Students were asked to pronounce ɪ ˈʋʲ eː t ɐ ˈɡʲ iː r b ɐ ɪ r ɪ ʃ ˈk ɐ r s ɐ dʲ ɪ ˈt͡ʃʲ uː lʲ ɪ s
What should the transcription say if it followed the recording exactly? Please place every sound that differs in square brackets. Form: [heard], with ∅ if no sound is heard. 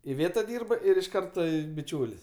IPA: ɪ ˈʋʲ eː t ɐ [ˈdʲ] iː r b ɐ ɪ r ɪ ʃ ˈk ɐ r [t] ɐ [bʲ] ɪ ˈt͡ʃʲ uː lʲ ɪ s

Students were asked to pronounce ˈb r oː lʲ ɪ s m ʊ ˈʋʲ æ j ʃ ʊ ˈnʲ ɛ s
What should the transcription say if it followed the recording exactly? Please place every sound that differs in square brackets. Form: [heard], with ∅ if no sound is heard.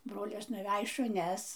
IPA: ˈb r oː lʲ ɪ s [n] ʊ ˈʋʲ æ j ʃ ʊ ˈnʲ ɛ s

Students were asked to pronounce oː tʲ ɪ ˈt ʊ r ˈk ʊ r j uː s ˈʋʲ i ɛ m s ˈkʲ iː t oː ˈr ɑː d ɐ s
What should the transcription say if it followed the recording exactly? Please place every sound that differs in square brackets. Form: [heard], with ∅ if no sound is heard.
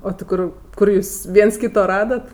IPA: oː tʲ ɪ [ˈk] ʊ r ˈk ʊ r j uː s ˈʋʲ i ɛ [n] s ˈkʲ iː t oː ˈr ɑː d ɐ [t]

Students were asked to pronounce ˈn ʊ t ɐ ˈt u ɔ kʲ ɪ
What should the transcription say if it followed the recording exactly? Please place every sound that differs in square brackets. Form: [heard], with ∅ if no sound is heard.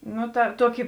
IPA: ˈn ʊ t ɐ ˈt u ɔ kʲ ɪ

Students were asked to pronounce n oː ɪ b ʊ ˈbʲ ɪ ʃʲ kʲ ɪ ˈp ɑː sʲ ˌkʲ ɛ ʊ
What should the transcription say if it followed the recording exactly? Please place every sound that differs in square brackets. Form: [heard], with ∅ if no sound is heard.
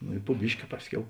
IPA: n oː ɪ [p] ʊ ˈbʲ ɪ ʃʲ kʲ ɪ ˈp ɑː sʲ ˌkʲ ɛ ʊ

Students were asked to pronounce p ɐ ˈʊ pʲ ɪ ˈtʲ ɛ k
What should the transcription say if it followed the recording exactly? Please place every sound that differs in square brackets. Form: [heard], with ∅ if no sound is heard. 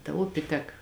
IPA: [t] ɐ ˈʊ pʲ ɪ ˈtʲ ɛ k

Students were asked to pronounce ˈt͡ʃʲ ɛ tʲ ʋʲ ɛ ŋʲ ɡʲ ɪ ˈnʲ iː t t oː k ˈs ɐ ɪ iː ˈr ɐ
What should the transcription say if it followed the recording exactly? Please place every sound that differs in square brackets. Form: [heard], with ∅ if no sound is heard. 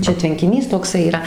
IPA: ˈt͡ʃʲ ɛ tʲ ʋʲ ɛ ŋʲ [kʲ] ɪ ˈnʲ iː [s] t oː k ˈs ɐ ɪ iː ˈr ɐ

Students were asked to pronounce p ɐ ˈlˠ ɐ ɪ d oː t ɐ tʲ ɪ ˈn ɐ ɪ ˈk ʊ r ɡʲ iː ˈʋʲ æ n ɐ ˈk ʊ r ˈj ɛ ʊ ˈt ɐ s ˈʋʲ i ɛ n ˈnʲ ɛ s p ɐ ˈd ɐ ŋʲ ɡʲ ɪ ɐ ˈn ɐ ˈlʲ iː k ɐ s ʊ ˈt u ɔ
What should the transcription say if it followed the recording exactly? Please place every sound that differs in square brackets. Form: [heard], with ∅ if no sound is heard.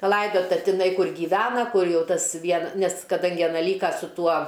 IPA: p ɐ ˈlˠ ɐ ɪ d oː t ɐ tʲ ɪ ˈn ɐ ɪ ˈk ʊ r ɡʲ iː ˈʋʲ [æː] n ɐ ˈk ʊ r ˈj ɛ ʊ ˈt ɐ s ˈʋʲ i ɛ n ˈnʲ ɛ s [k] ɐ ˈd ɐ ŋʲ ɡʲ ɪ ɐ ˈn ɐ ˈlʲ iː k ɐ s ʊ ˈt u ɔ

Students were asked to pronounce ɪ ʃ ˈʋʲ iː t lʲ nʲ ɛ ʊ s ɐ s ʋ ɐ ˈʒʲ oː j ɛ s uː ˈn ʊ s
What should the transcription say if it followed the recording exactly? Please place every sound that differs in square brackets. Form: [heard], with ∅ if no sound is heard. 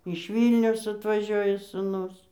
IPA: ɪ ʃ ˈʋʲ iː [∅] lʲ nʲ ɛ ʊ s ɐ [t] ʋ ɐ ˈʒʲ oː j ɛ s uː ˈn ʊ s

